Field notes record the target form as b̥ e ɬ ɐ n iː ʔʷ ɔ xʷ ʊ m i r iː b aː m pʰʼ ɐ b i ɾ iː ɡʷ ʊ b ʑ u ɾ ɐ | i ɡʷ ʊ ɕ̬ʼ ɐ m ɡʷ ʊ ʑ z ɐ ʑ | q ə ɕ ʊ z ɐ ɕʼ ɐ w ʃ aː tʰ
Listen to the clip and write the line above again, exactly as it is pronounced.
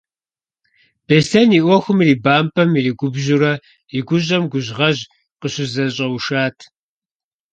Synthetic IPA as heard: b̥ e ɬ ɐ n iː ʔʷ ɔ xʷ ʊ m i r iː b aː m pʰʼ ɐ m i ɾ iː ɡʷ ʊ b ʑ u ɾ ɐ | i ɡʷ ʊ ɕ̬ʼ ɐ m ɡʷ ʊ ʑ ʁ ɐ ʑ | q ə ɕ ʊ z ɐ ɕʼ ɐ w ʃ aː tʰ